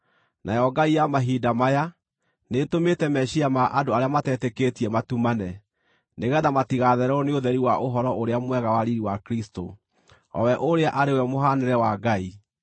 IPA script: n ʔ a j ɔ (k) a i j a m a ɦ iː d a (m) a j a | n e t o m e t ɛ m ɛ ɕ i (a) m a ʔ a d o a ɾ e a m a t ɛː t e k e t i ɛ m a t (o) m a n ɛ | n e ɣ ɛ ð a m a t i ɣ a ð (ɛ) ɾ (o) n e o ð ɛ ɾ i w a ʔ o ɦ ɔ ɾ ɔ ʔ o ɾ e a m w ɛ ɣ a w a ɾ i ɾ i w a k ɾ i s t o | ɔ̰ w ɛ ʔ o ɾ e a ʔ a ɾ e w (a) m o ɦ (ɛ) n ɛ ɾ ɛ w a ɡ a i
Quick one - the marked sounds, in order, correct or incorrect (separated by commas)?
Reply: incorrect, correct, correct, incorrect, correct, incorrect, incorrect, incorrect